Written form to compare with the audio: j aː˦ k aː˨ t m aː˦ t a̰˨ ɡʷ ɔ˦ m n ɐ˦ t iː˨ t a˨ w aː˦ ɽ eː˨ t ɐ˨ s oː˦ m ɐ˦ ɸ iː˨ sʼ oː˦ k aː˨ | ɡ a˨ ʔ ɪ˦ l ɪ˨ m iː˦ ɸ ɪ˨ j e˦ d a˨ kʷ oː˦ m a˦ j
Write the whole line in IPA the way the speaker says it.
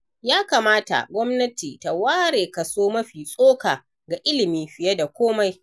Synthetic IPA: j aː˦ k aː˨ m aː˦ t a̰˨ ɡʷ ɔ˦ m n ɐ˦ t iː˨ t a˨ w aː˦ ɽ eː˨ k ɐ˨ s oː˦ m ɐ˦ ɸ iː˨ sʼ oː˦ k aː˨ | ɡ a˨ ʔ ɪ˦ l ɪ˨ m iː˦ ɸ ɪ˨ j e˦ d a˨ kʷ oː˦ m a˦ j